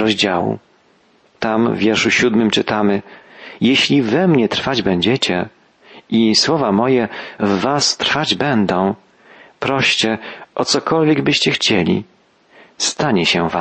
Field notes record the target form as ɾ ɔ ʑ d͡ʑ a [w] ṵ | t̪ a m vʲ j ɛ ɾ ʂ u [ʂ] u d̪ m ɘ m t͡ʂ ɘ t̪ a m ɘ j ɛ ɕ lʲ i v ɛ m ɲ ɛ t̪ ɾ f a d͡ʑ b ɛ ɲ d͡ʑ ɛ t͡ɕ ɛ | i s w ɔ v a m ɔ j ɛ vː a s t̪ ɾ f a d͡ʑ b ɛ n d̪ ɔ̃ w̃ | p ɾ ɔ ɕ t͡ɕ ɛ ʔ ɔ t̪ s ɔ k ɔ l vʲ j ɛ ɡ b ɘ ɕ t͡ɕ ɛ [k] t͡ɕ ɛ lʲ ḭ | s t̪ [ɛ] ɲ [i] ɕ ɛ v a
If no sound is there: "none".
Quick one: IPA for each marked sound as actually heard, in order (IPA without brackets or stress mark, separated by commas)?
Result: w, ɕ, x, a, ɛ